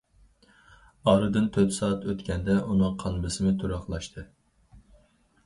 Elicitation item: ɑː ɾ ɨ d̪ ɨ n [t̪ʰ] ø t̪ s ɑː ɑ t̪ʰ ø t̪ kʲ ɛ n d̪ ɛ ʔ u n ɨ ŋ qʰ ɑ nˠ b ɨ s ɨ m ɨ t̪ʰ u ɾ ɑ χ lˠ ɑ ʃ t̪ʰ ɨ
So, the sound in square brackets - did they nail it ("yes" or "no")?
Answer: yes